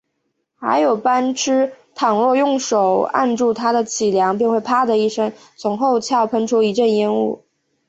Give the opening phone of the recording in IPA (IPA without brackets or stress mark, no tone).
x